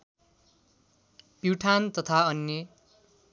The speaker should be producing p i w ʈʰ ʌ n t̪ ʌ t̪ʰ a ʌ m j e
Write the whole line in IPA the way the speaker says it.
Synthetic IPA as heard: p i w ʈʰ a n t̪ ʌ t̪ʰ a ʌ n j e